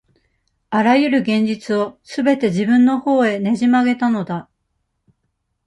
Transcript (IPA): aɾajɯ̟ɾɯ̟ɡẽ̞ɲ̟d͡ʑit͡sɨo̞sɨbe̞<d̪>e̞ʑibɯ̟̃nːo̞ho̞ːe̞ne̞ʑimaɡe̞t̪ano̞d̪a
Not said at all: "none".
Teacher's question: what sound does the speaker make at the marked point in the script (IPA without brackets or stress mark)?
t̪